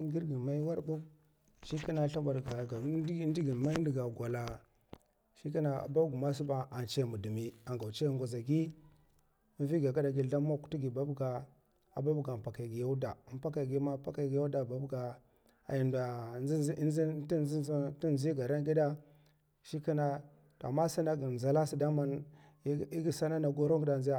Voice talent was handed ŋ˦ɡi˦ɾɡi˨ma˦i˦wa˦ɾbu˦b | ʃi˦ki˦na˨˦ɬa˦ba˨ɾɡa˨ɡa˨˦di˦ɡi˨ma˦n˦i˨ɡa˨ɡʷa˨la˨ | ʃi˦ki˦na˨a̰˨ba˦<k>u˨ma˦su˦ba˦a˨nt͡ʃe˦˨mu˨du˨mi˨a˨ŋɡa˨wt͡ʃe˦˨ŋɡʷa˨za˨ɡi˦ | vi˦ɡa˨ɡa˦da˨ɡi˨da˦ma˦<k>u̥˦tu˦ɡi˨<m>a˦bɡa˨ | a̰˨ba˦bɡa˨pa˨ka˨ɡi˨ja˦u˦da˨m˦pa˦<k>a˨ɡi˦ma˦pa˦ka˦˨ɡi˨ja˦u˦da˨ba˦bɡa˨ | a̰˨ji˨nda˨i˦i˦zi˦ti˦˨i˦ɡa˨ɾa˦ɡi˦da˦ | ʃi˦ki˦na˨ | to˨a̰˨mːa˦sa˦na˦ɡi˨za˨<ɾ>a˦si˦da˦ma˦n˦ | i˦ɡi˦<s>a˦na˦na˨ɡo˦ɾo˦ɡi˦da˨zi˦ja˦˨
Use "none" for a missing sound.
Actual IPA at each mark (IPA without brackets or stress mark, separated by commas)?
ɡ, k, b, k, l, s